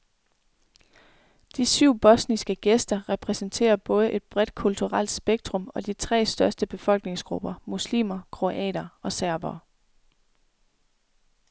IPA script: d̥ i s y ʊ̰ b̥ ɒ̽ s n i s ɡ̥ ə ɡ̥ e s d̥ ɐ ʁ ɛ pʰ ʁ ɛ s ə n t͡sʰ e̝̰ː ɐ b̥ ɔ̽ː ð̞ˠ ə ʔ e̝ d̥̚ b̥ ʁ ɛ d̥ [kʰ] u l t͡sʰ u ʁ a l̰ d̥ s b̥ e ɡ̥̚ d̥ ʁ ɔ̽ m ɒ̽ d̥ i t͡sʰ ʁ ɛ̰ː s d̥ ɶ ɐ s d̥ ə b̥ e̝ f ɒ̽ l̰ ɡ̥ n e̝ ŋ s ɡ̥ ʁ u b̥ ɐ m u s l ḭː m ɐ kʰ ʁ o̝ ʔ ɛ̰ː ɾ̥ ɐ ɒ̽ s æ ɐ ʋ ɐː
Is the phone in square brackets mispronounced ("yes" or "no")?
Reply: no